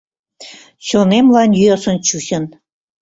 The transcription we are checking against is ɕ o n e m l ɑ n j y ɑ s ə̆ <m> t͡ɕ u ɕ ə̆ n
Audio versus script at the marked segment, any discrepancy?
yes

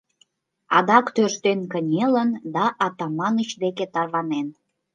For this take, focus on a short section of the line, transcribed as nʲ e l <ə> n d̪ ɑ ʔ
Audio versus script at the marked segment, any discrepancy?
no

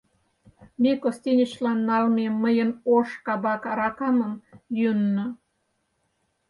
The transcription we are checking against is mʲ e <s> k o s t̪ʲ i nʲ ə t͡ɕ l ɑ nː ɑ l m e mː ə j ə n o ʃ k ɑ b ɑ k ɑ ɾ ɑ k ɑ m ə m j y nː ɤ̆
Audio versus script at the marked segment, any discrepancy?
yes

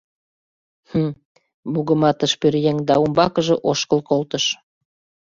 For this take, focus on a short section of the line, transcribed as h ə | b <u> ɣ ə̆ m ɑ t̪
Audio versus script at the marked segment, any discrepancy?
no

